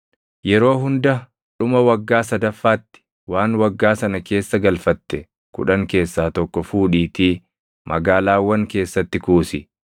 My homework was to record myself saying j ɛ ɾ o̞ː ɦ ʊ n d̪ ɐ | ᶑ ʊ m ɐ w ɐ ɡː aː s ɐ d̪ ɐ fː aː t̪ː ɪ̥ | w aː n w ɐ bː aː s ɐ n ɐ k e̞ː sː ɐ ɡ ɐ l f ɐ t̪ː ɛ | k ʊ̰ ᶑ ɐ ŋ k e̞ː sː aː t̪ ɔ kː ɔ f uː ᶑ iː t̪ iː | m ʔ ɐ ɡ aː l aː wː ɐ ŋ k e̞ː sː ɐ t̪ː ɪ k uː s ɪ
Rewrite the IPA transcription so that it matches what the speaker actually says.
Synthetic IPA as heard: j ɛ ɾ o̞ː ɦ ʊ n d̪ ɐ | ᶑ ʊ m ɐ w ɐ ɡː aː s ɐ d̪ ɐ fː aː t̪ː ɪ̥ | w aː n w ɐ ɡː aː s ɐ n ɐ k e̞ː sː ɐ ɡ ɐ l f ɐ t̪ː ɛ | k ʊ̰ ᶑ ɐ ŋ k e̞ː sː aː t̪ ɔ kː ɔ f uː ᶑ iː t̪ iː | m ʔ ɐ ɡ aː l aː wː ɐ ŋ k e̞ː sː ɐ t̪ː ɪ k uː s ɪ